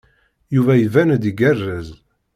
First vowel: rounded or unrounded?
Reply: rounded